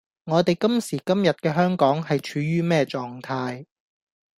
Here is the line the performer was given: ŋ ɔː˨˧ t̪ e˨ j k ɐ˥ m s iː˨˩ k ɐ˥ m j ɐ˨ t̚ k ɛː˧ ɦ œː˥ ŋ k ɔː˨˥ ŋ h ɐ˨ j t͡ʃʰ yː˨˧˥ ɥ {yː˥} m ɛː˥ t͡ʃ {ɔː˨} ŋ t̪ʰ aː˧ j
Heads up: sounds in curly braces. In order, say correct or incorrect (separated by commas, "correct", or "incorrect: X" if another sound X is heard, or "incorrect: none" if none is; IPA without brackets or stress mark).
correct, correct